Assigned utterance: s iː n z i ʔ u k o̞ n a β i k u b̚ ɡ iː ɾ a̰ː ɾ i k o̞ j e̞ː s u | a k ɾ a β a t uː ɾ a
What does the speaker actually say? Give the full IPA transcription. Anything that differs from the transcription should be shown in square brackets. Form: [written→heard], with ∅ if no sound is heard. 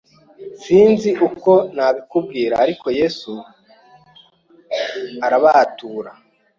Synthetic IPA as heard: s iː n z i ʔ u k o̞ n a β i k u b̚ ɡ iː ɾ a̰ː ɾ i k o̞ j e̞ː s u | a [k→∅] ɾ a β a t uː ɾ a